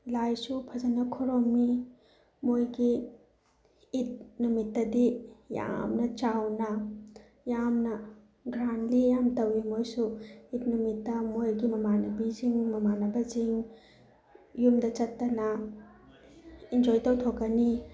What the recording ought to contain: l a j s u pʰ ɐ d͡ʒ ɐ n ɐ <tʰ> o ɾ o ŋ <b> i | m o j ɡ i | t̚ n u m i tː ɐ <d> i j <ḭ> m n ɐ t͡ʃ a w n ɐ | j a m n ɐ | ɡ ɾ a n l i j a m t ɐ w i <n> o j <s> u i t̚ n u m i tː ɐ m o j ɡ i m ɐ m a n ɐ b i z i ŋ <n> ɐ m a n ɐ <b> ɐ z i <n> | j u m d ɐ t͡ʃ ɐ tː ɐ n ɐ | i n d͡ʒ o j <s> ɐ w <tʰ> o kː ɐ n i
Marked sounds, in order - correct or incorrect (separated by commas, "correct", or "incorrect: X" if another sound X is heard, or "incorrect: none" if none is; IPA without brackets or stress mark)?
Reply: incorrect: kʰ, incorrect: m, correct, incorrect: a̰, incorrect: m, correct, incorrect: m, correct, incorrect: ŋ, incorrect: t, correct